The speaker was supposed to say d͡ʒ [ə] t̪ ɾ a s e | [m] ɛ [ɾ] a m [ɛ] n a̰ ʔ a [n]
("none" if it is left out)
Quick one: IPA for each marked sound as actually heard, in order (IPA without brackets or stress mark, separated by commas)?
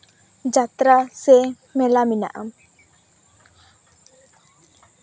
a, m, l, i, m